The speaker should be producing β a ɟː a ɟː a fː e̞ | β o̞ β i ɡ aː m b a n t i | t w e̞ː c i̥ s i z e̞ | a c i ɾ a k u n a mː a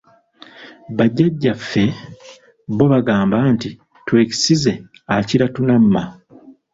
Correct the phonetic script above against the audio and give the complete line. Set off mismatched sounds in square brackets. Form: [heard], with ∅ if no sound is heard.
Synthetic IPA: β a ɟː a ɟː a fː e̞ | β o̞ β [a] ɡ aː m b a n t i | t w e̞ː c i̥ s i z e̞ | a c i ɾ a [t] u n a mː a